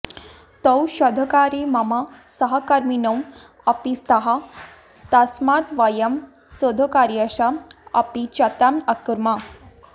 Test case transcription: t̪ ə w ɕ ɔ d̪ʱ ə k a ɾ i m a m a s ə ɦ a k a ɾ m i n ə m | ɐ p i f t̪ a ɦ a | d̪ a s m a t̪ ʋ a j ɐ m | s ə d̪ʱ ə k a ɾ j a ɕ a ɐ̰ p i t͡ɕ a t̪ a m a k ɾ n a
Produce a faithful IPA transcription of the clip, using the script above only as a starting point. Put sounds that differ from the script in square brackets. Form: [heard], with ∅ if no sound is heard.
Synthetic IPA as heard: t̪ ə w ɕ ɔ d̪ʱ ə k a ɾ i m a m a s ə ɦ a k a ɾ m i n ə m | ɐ p i [s] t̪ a ɦ a | [t̪] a s m a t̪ ʋ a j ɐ m | s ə d̪ʱ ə k a ɾ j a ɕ a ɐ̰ p i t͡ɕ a t̪ a m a k ɾ [m] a